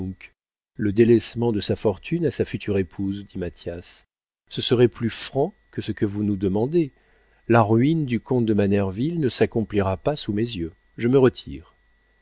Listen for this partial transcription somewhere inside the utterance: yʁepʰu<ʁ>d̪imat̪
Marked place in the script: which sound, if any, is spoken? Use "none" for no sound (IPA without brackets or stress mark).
z